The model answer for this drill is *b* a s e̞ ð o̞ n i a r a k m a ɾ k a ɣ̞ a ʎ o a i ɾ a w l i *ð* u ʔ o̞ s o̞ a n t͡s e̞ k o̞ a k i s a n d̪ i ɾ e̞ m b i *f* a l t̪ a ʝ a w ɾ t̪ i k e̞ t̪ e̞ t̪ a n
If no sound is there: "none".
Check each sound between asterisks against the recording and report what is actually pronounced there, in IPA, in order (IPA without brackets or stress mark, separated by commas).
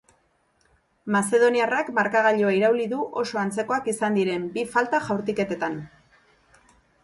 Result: m, ð, f